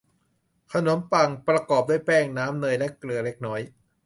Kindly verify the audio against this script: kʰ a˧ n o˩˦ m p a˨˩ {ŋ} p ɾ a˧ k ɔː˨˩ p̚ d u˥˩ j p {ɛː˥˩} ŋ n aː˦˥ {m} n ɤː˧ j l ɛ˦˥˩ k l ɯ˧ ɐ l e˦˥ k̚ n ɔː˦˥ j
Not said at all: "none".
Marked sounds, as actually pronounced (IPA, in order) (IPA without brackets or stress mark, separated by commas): ŋ, ɛː˥˩, m